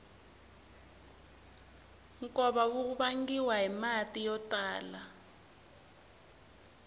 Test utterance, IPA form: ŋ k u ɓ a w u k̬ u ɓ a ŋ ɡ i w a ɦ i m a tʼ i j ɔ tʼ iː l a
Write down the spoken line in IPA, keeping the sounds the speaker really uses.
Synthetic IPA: ŋ k ɔ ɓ a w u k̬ u ɓ a ŋ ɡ i w a ɦ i m a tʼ i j ɔ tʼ aː l a